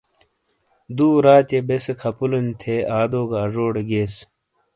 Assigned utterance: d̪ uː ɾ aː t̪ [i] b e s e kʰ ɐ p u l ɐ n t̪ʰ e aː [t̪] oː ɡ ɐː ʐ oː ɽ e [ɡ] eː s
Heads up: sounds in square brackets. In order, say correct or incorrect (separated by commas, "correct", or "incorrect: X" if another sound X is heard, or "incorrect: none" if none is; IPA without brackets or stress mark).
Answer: incorrect: e, incorrect: d̪, correct